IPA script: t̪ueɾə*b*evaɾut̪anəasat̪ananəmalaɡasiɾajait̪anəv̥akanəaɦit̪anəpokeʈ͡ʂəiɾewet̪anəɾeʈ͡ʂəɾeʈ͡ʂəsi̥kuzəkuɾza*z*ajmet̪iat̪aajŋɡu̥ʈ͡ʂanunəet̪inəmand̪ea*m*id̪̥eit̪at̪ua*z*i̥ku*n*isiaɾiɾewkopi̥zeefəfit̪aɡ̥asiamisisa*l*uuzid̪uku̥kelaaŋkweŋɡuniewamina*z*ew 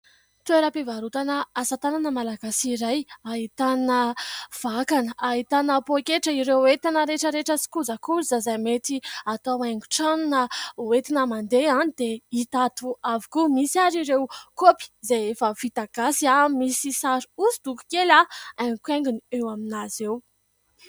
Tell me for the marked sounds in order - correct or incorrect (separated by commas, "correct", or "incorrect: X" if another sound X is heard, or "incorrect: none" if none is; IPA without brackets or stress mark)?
incorrect: p, correct, incorrect: n, incorrect: v, incorrect: m, incorrect: ɾ, correct